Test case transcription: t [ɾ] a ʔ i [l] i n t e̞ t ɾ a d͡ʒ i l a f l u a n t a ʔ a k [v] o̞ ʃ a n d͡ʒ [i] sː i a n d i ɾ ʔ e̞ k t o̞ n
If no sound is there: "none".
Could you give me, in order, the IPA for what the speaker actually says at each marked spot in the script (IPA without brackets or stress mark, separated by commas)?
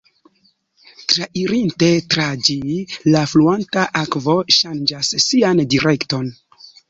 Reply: ɾ, ɾ, v, a